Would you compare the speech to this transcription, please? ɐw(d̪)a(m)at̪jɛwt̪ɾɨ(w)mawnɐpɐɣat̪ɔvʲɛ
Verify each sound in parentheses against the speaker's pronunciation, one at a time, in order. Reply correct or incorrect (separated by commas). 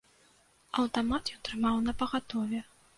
incorrect, correct, incorrect